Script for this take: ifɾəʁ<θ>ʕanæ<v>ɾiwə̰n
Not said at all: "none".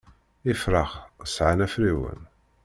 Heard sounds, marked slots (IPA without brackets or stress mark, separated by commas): s, f